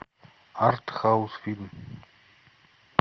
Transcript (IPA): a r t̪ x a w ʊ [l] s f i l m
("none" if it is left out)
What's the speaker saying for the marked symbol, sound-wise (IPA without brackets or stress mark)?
none